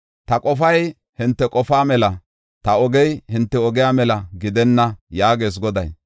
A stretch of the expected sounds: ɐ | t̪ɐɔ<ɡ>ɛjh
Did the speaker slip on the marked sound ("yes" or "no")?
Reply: no